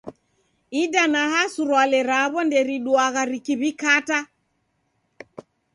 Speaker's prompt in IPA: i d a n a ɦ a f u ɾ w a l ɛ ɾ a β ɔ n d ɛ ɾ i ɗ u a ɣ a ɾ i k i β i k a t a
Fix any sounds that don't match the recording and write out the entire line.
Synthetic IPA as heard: i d a n a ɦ a s u ɾ w a l ɛ ɾ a β ɔ n d ɛ ɾ i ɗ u a ɣ a ɾ i k i β i k a t a